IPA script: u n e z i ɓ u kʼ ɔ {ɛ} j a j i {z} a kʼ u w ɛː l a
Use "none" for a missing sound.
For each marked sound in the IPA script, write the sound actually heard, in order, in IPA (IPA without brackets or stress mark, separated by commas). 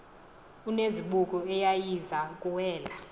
ɛ, z